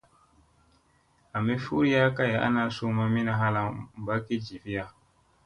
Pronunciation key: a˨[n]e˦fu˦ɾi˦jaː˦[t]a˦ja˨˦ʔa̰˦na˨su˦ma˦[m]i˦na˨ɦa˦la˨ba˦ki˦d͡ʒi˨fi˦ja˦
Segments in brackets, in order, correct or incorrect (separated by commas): incorrect, incorrect, correct